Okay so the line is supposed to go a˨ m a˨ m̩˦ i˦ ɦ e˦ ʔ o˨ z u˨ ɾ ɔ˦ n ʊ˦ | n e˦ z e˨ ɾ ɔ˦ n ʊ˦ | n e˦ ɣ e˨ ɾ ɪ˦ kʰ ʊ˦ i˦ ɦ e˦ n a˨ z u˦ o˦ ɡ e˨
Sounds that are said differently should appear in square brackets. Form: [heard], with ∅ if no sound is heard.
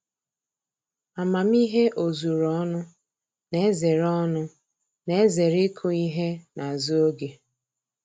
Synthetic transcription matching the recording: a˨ m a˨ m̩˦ i˦ ɦ e˦ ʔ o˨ z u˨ ɾ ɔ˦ n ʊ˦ | n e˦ z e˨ ɾ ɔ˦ n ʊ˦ | n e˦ [z] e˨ ɾ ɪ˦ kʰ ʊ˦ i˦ ɦ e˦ n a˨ z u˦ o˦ ɡ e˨